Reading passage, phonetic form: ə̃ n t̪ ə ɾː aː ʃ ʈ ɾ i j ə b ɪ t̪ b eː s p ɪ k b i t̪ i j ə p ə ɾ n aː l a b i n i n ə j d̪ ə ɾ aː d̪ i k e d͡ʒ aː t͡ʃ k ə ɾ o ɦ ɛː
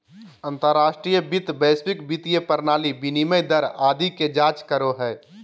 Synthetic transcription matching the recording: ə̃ n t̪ ə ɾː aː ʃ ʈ ɾ i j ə b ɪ t̪ b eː s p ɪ k b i t̪ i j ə p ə ɾ n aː l i b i n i m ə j d̪ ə ɾ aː d̪ i k e d͡ʒ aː t͡ʃ k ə ɾ o ɦ ɛː

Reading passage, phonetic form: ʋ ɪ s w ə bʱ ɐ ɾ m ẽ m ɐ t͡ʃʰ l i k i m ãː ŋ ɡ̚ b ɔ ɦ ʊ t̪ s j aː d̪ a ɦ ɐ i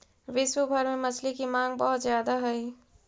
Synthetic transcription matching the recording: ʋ ɪ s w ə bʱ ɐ ɾ m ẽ m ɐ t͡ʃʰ l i k i m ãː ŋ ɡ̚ b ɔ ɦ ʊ t̪ z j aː d̪ a ɦ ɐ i

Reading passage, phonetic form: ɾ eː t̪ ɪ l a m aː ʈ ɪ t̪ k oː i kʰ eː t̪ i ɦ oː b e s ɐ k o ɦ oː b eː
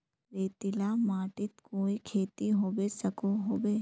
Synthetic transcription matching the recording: ɾ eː t̪ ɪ l a m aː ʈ ɪ t̪ k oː i kʰ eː t̪ i ɦ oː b e s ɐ k o ɦ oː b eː

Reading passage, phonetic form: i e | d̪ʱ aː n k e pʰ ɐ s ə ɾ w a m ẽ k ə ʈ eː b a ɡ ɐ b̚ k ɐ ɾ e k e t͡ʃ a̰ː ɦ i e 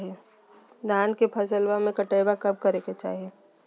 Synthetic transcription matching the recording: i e | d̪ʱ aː n k e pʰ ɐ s ə l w a m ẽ k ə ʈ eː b a k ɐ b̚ k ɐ ɾ e k e t͡ʃ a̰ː ɦ i e

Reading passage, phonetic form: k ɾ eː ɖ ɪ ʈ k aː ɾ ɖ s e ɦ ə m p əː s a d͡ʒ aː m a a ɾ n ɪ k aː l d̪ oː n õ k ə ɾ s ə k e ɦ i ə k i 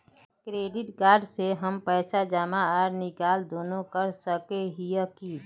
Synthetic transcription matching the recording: k ɾ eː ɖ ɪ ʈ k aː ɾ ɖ s e ɦ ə m p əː s a d͡ʒ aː m a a ɾ n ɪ k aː l d̪ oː n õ k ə ɾ s ə k e ɦ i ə k i

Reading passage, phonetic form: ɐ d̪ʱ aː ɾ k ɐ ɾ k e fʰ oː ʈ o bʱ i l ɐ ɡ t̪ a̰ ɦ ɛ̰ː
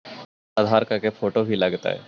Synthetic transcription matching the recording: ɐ d̪ʱ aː ɾ k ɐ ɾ k e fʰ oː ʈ o bʱ i l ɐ ɡ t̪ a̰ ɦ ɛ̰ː

